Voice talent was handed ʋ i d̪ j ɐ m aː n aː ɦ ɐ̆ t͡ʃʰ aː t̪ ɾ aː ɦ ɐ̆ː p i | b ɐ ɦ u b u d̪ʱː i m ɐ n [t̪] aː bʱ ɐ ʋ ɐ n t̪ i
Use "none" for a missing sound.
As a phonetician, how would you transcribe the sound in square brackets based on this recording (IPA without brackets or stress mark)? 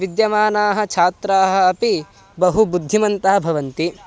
t̪